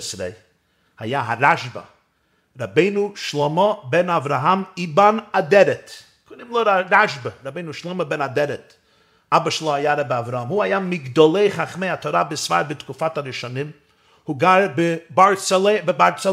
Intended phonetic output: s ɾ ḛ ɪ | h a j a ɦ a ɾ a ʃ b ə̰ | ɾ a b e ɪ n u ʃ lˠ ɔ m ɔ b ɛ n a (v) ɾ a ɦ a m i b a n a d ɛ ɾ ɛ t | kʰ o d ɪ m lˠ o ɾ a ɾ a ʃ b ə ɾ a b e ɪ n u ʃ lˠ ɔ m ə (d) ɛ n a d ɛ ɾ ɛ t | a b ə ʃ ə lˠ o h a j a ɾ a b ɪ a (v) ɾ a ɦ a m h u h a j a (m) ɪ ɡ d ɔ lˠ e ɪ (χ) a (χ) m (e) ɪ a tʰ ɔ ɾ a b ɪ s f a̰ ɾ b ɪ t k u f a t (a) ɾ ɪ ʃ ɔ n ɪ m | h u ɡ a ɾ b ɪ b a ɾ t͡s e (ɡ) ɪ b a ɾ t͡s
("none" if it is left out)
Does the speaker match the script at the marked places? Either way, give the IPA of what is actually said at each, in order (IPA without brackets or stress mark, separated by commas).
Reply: v, b, v, m, χ, χ, e, a, b